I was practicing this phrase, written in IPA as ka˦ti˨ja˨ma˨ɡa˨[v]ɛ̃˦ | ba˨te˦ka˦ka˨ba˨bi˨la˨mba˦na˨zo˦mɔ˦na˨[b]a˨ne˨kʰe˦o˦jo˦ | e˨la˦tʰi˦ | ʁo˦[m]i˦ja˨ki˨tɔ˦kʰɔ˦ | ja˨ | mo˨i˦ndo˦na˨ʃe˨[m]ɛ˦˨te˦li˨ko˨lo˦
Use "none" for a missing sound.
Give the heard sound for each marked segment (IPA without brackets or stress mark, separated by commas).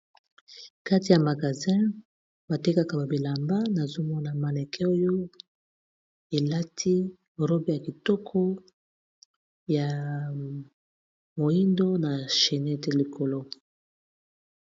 z, m, b, n